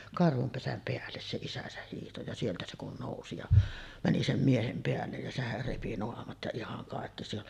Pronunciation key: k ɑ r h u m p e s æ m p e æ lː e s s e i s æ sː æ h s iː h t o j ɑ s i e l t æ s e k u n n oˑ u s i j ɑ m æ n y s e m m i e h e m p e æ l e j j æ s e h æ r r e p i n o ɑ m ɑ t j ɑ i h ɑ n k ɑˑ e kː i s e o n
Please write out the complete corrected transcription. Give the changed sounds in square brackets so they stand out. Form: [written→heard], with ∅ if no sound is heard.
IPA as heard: k ɑ r h u m p e s æ m p e æ lː e s s e i s æ [sː→s] æ h [s→h] iː h t o j ɑ s i e l t æ s e k u n n oˑ u s i j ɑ m æ n [y→i] s e m m i e h e m p e æ [l→lː] e j j æ s e h æ r r e p i n o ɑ m ɑ t j ɑ i h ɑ [n→ŋ] k ɑˑ e kː i s e o n